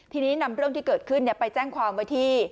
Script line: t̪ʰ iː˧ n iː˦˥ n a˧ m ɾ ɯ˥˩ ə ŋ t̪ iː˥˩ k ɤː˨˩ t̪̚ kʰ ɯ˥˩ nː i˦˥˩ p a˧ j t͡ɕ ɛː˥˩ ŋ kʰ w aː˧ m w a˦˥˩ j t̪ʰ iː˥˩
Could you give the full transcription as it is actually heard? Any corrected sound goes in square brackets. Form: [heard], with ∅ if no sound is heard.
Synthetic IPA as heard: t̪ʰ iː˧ n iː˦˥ n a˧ m ɾ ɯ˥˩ ə ŋ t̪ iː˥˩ k ɤː˨˩ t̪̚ kʰ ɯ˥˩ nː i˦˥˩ p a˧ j t͡ɕ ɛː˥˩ ŋ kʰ w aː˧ m w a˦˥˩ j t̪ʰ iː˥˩